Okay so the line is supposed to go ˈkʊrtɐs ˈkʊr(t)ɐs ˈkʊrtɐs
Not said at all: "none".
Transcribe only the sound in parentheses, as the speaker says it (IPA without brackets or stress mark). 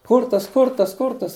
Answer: t